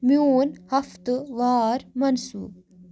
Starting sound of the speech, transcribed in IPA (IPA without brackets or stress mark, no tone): m